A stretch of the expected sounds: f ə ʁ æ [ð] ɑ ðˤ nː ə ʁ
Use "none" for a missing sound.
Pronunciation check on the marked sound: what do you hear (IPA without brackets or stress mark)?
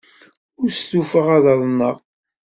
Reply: ð